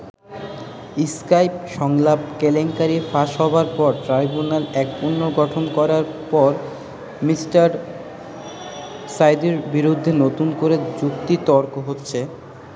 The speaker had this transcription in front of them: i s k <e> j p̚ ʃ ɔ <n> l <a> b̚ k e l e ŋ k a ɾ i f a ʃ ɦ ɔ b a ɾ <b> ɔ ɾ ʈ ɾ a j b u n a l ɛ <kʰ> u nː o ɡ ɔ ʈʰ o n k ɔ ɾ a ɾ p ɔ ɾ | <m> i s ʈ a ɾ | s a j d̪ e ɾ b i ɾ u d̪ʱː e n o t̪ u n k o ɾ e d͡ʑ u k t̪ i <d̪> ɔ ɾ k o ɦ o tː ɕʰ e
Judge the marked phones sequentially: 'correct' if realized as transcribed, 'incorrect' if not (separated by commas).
incorrect, incorrect, correct, incorrect, incorrect, correct, incorrect